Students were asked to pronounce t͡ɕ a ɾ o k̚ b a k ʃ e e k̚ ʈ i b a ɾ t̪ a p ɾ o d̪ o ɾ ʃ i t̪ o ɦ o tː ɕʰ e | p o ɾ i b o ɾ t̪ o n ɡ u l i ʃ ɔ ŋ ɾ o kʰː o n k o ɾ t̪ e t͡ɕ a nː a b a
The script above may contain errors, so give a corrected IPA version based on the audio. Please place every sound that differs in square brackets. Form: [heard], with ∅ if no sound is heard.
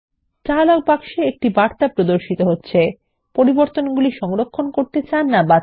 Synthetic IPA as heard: t͡ɕ a [l] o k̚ b a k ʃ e e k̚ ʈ i b a ɾ t̪ a p ɾ o d̪ o ɾ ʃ i t̪ o ɦ o tː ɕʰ e | p o ɾ i b o ɾ t̪ o n ɡ u l i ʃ ɔ ŋ ɾ o kʰː o n k o ɾ t̪ e t͡ɕ a nː a b a

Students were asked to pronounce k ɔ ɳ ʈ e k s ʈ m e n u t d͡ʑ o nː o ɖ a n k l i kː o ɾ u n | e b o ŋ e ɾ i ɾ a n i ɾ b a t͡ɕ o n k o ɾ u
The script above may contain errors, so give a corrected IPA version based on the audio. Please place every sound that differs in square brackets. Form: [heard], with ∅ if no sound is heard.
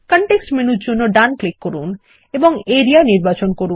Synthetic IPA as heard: k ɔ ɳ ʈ e k s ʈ m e n u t d͡ʑ o nː o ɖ a n k l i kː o ɾ u n | e b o ŋ e ɾ i [∅] a n i ɾ b a t͡ɕ o n k o ɾ u

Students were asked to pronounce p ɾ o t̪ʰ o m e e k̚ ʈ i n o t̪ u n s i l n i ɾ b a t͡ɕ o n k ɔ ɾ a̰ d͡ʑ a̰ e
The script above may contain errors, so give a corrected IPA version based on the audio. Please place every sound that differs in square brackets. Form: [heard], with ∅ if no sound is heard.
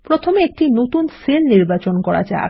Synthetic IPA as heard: p ɾ o t̪ʰ o m e e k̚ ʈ i n o t̪ u n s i l n i ɾ b a t͡ɕ o n k ɔ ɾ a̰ d͡ʑ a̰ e

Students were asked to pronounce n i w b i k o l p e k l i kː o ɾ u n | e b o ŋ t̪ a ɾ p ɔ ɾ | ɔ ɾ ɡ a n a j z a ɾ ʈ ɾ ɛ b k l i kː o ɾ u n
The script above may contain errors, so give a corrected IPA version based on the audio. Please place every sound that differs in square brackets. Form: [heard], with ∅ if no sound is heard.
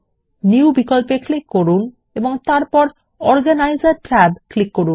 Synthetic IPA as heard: n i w b i k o l p e k l i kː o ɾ u n | e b o ŋ t̪ a ɾ p ɔ ɾ | ɔ ɾ ɡ a n a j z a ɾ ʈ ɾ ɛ b k l i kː o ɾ u n

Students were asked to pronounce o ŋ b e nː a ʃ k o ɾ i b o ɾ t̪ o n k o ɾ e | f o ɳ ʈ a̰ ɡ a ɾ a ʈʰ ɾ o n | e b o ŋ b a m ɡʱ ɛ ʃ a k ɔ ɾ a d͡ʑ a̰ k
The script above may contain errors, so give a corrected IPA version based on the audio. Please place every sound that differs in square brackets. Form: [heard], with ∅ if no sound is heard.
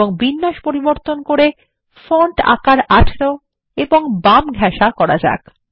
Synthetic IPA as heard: o ŋ b [i] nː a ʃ [p] o ɾ i b o ɾ t̪ o n k o ɾ e | f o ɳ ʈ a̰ [k] a ɾ a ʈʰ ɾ o [∅] | e b o ŋ b a m ɡʱ ɛ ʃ a k ɔ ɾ a d͡ʑ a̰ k

